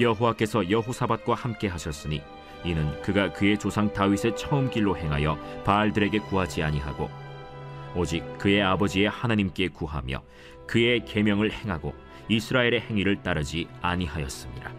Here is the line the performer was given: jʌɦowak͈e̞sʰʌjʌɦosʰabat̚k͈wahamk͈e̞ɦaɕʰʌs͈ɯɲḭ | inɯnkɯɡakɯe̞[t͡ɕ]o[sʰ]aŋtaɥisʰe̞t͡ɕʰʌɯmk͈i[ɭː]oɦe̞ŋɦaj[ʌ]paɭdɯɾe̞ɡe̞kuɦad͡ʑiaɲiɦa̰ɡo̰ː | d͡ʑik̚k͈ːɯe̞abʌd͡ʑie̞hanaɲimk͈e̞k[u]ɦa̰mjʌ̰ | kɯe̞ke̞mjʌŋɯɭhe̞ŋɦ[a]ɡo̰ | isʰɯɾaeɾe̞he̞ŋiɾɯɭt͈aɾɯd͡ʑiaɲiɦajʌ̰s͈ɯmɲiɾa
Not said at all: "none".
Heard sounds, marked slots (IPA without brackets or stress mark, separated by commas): t͡ɕ, sʰ, ɭː, ʌ, u, a